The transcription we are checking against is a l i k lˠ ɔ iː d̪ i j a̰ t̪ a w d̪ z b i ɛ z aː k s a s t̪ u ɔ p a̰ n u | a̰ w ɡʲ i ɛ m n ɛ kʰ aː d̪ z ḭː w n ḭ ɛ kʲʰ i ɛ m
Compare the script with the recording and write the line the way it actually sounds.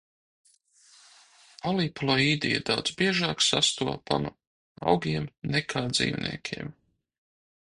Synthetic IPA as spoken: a l i p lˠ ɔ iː d̪ i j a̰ d̪ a w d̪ z b i ɛ ʒ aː k s a s t̪ u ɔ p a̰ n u | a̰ w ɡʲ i ɛ m n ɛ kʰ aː d̪ z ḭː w n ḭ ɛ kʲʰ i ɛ m